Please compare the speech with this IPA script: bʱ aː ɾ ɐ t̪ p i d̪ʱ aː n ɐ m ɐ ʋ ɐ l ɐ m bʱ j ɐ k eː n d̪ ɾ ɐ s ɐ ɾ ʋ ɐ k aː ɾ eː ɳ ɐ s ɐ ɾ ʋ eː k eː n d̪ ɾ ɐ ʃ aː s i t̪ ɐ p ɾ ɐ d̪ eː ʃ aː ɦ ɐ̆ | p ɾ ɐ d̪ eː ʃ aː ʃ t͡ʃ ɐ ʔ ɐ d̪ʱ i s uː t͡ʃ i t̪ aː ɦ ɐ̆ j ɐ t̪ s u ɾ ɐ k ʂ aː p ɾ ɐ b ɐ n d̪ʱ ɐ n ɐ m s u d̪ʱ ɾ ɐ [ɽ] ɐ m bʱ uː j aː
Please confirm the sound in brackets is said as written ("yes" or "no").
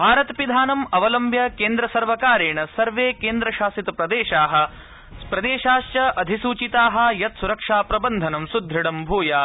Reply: yes